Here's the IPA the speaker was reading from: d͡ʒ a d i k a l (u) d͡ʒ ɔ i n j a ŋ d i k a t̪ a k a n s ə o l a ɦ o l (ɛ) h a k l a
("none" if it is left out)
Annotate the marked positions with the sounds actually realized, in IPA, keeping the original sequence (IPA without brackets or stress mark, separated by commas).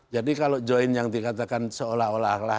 o, a